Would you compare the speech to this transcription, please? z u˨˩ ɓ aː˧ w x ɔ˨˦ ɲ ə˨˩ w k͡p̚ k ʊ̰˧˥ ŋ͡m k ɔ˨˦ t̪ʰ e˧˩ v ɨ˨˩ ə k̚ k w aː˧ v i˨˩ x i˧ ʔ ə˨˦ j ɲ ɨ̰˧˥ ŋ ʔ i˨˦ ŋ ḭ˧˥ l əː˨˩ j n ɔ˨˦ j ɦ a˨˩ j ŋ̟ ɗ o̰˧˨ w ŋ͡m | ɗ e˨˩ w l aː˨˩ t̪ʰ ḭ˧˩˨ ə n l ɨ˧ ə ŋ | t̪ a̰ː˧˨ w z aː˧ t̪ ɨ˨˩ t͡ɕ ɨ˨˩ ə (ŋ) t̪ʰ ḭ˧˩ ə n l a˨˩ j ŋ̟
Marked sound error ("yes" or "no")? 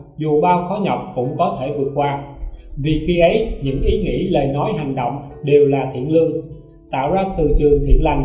no